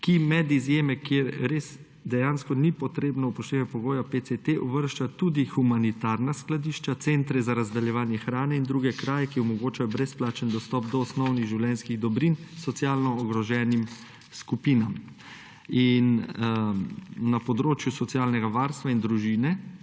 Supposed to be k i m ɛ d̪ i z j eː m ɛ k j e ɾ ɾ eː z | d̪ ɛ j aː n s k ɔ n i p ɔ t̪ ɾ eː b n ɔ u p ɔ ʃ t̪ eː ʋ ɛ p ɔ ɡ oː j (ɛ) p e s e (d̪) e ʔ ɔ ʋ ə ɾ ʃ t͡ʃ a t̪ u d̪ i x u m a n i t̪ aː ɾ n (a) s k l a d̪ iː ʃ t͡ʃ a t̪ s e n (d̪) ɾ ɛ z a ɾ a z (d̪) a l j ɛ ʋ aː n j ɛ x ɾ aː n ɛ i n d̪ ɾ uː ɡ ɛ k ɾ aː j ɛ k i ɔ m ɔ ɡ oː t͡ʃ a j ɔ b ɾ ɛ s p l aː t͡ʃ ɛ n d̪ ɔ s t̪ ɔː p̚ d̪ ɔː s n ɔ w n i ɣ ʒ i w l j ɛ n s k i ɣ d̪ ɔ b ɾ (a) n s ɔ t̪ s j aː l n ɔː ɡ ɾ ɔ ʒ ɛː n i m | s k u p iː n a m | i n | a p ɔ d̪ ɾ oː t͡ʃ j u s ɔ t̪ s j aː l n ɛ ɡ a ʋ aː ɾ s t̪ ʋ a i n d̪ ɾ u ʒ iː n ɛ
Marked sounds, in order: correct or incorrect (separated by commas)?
incorrect, incorrect, correct, incorrect, correct, incorrect